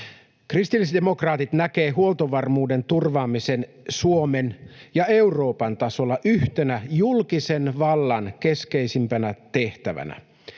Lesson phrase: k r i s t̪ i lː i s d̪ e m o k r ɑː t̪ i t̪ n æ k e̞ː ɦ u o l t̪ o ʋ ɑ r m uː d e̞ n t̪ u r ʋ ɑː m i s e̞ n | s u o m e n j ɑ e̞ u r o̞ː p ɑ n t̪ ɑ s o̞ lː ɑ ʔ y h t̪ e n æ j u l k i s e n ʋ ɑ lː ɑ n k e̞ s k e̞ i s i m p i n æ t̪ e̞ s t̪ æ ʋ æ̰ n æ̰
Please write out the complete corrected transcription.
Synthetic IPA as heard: k r i s t̪ i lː i s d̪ e m o k r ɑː t̪ i t̪ n æ k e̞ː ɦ u o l t̪ o ʋ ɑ r m uː d e̞ n t̪ u r ʋ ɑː m i s e̞ n | s u o m e n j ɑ e̞ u r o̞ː p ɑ n t̪ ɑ s o̞ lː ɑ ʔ y h t̪ e n æ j u l k i s e n ʋ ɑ lː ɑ n k e̞ s k e̞ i s i m p æ n æ t̪ e̞ h t̪ æ ʋ æ̰ n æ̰